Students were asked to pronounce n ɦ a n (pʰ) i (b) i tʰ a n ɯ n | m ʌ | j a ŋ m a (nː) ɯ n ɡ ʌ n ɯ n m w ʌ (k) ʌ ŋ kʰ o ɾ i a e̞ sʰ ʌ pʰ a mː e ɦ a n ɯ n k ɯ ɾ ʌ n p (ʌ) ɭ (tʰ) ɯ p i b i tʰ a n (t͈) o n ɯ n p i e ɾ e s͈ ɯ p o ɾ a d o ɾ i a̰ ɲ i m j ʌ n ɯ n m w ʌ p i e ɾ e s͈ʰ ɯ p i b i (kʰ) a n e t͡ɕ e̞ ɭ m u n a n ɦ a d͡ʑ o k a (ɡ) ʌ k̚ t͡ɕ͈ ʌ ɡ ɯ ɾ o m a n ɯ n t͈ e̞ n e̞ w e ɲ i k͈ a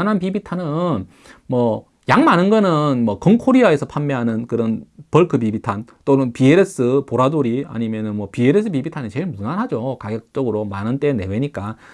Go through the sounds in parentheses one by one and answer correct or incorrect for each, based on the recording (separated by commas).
incorrect, correct, incorrect, correct, correct, incorrect, correct, incorrect, correct